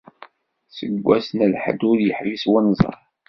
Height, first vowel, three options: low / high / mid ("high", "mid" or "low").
mid